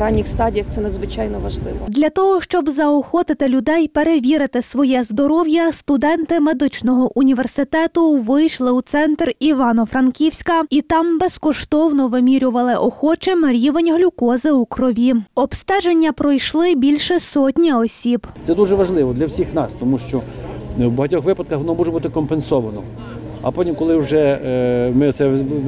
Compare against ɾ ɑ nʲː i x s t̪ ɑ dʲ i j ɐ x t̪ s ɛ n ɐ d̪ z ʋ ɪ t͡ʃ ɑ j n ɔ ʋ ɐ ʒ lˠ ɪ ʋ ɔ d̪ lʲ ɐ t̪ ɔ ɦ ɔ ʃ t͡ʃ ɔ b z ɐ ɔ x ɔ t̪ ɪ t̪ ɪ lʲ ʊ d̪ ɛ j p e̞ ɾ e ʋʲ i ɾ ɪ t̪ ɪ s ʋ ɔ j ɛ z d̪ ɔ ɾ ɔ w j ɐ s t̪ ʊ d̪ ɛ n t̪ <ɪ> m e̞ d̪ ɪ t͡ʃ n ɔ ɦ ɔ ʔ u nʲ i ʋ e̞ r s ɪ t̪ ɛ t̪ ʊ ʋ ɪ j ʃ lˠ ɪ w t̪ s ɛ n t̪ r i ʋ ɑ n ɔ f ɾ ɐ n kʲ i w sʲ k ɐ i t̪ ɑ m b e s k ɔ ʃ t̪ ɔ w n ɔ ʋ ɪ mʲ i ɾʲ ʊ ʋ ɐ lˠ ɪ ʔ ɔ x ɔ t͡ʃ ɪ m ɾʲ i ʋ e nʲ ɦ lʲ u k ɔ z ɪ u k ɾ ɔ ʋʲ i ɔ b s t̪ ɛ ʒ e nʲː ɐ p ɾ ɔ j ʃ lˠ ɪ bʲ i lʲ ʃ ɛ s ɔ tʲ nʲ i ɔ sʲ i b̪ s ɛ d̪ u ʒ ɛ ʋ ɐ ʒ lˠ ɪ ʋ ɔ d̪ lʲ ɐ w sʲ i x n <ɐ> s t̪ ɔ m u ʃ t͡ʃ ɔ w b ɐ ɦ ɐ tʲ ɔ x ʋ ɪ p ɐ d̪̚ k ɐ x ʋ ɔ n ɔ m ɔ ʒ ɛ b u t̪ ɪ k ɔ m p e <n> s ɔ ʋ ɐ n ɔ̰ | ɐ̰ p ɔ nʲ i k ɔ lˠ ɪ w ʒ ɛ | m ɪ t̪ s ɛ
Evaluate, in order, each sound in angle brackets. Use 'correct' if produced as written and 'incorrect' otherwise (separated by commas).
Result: correct, incorrect, correct